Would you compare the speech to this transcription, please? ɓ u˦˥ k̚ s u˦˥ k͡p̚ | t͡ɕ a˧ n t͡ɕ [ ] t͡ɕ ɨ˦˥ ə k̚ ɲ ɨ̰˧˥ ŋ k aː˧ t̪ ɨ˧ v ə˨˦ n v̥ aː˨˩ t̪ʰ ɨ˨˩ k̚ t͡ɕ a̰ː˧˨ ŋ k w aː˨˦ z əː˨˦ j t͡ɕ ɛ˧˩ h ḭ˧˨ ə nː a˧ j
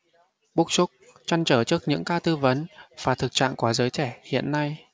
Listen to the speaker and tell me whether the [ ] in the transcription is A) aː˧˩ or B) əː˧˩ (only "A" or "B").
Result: B